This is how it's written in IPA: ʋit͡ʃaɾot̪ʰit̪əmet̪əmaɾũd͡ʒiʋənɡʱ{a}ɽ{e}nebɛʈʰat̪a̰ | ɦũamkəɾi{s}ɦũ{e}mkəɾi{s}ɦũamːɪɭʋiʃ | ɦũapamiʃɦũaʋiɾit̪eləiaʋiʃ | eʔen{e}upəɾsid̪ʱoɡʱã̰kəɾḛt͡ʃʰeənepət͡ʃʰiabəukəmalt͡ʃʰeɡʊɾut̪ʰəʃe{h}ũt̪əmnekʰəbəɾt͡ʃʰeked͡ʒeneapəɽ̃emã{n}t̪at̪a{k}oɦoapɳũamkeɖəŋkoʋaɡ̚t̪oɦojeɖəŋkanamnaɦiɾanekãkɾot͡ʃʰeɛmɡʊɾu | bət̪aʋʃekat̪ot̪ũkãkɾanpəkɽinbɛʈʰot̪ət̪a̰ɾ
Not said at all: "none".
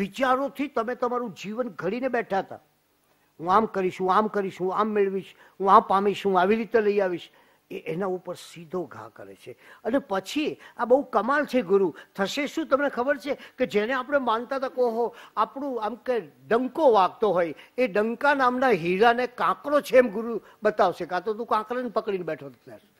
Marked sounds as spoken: ə, i, ʃ, a, ʃ, a, ʃ, n, k

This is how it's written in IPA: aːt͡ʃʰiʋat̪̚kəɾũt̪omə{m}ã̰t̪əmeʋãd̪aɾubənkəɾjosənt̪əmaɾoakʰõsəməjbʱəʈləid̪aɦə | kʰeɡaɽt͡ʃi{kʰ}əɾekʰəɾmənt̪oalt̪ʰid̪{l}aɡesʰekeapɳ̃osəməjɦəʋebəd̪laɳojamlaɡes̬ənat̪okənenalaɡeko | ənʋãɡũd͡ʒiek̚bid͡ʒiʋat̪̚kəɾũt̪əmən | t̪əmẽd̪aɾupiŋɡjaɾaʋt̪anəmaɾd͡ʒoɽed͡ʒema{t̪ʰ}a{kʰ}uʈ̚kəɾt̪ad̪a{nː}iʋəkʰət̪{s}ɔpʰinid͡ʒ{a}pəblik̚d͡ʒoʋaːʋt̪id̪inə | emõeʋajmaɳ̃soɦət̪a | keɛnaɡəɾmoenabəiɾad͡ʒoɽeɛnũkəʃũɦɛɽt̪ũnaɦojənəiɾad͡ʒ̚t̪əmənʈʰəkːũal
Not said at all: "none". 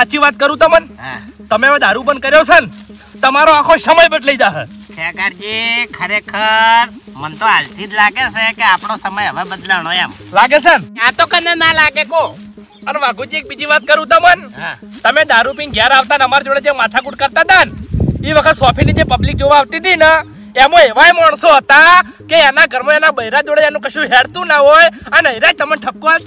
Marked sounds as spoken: n, kʰ, l, t̪ʰ, k, n, s, e

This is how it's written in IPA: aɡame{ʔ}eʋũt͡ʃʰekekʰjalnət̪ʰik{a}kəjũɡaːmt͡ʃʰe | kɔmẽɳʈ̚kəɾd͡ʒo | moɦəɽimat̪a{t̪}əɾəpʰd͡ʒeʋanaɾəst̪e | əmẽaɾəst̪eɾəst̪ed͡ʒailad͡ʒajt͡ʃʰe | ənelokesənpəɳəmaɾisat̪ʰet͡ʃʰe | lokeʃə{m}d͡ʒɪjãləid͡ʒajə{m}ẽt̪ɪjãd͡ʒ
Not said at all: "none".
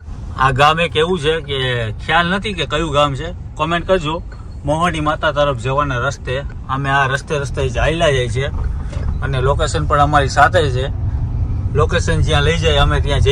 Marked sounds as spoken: k, e, t̪, n, m

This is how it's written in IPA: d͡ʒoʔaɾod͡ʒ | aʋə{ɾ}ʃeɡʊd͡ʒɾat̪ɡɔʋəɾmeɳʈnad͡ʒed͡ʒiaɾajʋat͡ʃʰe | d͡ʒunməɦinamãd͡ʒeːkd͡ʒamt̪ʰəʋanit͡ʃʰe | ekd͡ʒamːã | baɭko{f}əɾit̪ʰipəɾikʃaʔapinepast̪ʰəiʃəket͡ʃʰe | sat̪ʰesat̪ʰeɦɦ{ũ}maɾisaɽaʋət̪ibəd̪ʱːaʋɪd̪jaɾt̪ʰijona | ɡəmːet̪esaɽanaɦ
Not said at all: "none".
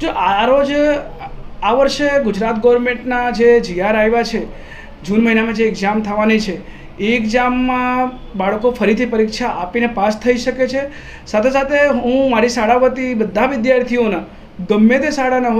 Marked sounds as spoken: ɾ, f, ũ

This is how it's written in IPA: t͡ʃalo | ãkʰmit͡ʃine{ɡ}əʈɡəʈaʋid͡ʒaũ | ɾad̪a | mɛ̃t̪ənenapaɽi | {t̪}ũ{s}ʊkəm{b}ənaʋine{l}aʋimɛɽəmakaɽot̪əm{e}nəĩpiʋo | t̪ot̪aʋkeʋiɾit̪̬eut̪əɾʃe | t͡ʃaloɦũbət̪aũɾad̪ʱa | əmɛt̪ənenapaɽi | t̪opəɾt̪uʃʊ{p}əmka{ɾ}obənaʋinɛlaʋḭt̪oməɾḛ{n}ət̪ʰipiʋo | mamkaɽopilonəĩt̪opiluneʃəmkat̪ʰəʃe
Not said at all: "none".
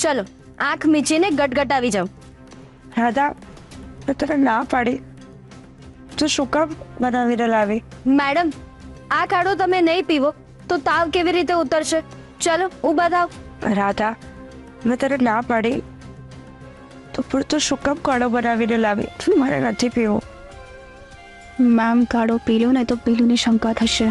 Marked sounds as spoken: ɡ, t̪, ʃ, b, l, e, k, ɽ, n

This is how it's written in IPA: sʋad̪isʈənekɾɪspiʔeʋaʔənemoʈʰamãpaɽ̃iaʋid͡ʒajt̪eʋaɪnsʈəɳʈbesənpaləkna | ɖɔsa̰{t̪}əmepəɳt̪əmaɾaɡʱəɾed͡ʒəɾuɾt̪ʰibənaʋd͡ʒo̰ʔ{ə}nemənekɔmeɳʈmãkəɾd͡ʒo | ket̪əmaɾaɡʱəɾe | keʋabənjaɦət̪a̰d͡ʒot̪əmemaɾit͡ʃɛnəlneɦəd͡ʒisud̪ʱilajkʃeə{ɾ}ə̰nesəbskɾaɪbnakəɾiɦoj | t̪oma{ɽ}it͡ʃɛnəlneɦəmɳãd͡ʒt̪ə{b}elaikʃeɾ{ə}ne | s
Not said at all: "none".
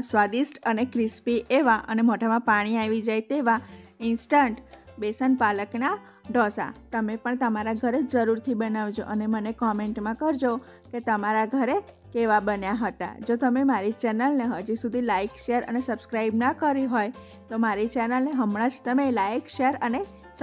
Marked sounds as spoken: t̪, ə, ɾ, ɾ, m, ə

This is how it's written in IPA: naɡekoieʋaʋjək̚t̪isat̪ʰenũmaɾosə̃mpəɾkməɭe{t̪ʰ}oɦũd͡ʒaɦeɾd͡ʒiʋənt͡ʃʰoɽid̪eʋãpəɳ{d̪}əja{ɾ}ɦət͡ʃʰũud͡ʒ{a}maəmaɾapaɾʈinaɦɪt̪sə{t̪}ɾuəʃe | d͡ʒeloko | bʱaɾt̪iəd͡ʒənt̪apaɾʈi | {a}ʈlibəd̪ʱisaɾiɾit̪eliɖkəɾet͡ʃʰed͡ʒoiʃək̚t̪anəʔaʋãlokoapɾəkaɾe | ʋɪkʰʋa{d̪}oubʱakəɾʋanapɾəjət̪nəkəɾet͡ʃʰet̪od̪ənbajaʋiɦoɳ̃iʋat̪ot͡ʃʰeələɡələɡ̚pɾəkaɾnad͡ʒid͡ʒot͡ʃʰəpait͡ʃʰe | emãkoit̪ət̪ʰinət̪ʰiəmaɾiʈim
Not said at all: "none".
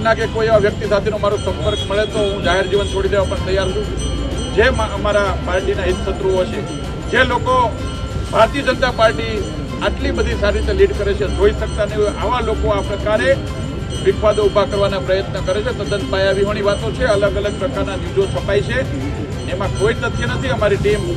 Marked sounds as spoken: t̪, t̪, ɾ, e, t̪, a, d̪

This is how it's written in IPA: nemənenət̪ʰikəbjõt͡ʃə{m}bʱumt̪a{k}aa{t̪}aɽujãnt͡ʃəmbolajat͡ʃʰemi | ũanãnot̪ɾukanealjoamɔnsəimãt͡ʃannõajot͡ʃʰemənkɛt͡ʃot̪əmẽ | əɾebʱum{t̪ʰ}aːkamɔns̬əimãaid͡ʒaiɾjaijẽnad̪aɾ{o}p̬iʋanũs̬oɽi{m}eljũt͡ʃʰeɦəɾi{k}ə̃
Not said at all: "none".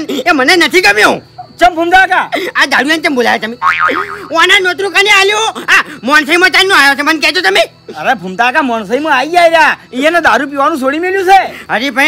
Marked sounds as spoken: m, k, d̪, t̪, u, m, p

